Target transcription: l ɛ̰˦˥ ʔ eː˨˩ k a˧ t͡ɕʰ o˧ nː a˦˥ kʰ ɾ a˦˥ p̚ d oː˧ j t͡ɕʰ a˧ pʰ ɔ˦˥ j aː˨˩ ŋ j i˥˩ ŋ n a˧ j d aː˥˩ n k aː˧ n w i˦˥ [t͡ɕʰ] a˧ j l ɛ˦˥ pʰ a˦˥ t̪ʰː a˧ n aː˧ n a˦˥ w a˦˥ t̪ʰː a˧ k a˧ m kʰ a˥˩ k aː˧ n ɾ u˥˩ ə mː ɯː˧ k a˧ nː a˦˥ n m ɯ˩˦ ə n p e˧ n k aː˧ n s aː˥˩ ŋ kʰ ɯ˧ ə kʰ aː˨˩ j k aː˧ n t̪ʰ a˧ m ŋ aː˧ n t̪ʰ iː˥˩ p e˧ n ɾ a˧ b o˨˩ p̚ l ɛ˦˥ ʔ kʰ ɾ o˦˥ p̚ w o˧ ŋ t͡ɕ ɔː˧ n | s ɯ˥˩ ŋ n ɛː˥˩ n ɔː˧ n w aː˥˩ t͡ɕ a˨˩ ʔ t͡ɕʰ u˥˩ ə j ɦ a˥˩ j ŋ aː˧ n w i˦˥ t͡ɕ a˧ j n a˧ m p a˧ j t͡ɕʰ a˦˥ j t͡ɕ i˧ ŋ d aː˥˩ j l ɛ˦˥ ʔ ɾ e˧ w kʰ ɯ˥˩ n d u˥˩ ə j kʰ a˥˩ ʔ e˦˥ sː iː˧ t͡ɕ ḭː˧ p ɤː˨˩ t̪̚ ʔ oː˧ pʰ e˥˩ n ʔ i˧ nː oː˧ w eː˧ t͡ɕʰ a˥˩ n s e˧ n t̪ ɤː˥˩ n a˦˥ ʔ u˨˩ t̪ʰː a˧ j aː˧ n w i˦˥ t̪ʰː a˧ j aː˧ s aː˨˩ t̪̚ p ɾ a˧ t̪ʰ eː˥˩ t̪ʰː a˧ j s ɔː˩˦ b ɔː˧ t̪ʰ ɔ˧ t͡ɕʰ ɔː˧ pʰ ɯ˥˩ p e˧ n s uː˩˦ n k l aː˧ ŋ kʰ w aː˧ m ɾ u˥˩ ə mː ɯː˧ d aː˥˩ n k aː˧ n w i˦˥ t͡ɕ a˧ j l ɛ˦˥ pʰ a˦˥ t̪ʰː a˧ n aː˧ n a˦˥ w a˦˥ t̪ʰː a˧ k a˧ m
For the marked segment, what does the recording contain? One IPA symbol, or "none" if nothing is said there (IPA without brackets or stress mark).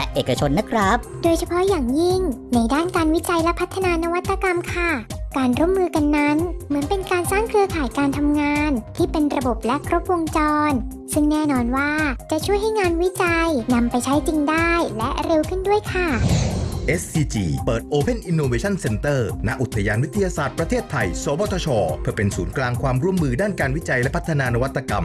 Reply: t͡ɕ